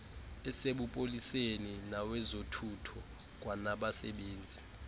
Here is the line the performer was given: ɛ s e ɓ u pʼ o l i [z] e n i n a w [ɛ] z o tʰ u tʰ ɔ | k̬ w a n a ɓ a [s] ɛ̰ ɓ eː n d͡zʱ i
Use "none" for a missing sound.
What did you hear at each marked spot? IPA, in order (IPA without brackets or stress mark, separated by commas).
s, ɛ, s